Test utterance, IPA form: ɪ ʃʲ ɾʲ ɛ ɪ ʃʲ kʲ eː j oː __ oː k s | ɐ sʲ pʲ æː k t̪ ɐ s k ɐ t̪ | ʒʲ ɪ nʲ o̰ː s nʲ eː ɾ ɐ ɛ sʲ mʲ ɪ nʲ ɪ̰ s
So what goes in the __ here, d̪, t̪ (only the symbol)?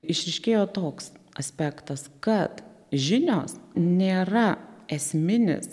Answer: t̪